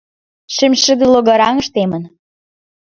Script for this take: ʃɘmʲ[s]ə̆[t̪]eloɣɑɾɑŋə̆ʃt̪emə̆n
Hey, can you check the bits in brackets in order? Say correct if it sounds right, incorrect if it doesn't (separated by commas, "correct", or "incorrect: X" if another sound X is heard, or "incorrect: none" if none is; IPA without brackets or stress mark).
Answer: incorrect: ʃ, incorrect: d̪